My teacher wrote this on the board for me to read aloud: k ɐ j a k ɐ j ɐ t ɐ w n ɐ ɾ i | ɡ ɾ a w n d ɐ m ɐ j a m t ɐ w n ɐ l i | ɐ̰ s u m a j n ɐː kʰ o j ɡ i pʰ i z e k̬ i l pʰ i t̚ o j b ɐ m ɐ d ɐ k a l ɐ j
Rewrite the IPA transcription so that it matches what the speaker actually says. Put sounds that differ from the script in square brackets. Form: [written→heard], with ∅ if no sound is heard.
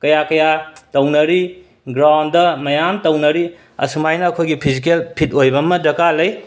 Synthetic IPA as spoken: k ɐ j a k ɐ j [ɐ→a] t ɐ w n ɐ ɾ i | ɡ ɾ a w n d ɐ m ɐ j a m t ɐ w n ɐ [l→ɾ] i | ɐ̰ s u m a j n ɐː kʰ o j ɡ i pʰ i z [e→i] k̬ [i→e] l pʰ i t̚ o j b ɐ m ɐ d ɐ k a l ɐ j

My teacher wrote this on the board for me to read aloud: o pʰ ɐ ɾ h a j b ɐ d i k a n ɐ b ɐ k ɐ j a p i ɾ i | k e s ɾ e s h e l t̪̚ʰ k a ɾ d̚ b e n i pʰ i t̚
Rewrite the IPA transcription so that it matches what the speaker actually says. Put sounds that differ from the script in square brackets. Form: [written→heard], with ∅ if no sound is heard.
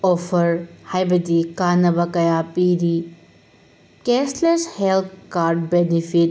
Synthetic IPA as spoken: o pʰ ɐ ɾ h a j b ɐ d i k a n ɐ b ɐ k ɐ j a p i ɾ i | k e s [ɾ→l] e s h e l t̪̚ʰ k a ɾ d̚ b e n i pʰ i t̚

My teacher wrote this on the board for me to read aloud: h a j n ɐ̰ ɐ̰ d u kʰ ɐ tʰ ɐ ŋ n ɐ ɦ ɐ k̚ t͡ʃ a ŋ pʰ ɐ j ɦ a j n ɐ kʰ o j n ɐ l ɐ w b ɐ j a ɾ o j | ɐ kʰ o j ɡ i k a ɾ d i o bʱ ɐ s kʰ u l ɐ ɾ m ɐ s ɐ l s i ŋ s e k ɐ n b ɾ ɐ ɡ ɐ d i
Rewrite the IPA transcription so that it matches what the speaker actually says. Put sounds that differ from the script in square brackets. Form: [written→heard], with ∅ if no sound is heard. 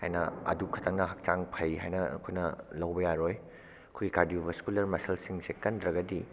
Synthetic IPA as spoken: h a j n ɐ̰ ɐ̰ d u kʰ ɐ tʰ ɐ ŋ n ɐ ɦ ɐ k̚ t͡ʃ a ŋ pʰ ɐ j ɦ a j n ɐ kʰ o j n ɐ l ɐ w b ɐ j a ɾ o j | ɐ kʰ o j ɡ i k a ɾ d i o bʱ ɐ s [kʰ→k] u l ɐ ɾ m ɐ s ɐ l s i ŋ s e k ɐ n [b→d] ɾ ɐ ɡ ɐ d i

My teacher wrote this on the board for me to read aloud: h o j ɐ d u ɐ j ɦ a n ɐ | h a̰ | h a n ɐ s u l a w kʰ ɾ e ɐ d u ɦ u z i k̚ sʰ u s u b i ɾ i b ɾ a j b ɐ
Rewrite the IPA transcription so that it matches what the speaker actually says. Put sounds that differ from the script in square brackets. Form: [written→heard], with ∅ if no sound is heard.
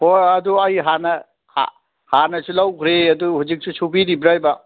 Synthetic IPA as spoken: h o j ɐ d u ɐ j ɦ a n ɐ | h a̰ | h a n ɐ s u l a w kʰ ɾ e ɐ d u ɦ u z i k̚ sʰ u s u b i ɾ i b ɾ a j b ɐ

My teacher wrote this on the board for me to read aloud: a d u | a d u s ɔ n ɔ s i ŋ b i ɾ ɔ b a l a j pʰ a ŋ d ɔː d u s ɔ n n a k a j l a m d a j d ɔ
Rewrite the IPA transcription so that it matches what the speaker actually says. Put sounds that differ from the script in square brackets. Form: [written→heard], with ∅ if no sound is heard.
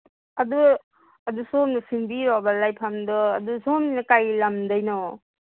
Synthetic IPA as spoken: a d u | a d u s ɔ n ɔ s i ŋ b i ɾ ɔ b a l a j pʰ a [ŋ→m] d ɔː d u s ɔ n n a k a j l a m d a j [d→n] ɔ

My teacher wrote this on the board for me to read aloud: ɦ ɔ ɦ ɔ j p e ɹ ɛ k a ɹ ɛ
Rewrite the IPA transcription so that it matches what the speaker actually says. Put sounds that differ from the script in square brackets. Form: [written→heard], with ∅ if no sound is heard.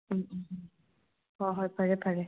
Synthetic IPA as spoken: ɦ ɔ ɦ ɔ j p [e→a] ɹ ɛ [k→p] a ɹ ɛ

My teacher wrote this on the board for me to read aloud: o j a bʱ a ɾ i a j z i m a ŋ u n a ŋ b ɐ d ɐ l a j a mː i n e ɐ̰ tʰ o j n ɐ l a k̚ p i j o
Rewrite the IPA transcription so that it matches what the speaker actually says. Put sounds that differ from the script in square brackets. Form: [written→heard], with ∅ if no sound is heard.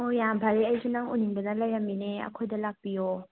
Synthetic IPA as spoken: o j a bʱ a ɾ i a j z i [m→n] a ŋ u n [a→i] ŋ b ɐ [d→n] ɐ l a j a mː i n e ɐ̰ [tʰ→kʰ] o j [n→d] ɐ l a k̚ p i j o

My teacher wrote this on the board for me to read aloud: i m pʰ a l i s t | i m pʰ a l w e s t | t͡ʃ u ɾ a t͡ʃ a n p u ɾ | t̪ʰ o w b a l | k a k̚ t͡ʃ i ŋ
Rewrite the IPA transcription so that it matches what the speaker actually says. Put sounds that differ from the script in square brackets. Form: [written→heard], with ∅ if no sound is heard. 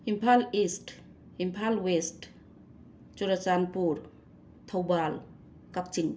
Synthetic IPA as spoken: i m pʰ a l i s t | i m pʰ a l w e s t | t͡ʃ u ɾ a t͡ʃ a n p u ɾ | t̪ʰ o w b a l | k a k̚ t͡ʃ i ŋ

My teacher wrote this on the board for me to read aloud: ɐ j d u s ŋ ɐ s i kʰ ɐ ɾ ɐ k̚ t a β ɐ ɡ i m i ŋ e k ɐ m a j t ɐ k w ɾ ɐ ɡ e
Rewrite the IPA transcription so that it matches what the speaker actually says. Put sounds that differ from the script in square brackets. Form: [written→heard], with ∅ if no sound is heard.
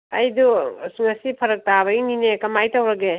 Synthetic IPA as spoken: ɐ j d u s ŋ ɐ s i [kʰ→pʰ] ɐ ɾ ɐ k̚ t a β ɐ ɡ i [m→n] i [ŋ→n] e k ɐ m a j t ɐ [k→∅] w ɾ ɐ ɡ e

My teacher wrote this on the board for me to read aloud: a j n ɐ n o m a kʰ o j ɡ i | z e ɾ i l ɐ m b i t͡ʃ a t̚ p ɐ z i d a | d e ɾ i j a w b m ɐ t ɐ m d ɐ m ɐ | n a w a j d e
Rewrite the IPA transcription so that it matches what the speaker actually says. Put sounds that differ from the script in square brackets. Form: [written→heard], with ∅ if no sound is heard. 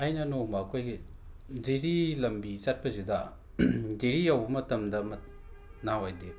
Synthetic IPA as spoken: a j n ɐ n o m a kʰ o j ɡ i | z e ɾ i l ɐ m b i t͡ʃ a t̚ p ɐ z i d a | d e ɾ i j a w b m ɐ t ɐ m d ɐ m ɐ | n a w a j d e

